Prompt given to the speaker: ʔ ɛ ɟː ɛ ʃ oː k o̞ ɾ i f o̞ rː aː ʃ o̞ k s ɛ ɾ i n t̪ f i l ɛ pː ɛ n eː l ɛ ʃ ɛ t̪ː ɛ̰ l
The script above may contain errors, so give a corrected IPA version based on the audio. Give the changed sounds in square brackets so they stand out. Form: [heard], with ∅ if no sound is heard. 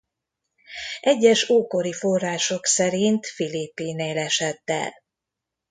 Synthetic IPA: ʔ ɛ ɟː ɛ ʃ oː k o̞ ɾ i f o̞ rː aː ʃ o̞ k s ɛ ɾ i n t̪ f i l [i] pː [i] n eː l ɛ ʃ ɛ t̪ː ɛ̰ l